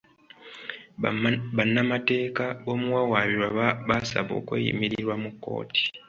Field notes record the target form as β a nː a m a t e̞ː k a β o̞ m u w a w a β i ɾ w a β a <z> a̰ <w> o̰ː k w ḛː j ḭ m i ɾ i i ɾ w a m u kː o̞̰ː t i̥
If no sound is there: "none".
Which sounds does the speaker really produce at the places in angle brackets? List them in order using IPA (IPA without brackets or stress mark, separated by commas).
s, β